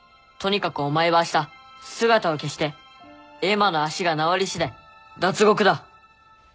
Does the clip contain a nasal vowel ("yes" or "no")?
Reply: no